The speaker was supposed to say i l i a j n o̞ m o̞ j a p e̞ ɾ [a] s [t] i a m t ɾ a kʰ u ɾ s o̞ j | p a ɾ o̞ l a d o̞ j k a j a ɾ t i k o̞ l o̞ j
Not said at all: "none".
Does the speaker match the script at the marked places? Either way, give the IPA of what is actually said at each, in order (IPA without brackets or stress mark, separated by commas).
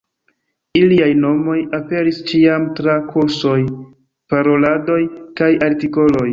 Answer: i, t͡ʃ